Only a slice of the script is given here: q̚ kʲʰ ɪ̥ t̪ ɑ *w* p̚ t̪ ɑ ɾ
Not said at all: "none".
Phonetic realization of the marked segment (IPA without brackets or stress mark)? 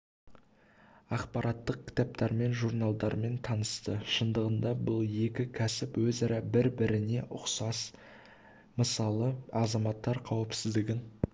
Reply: none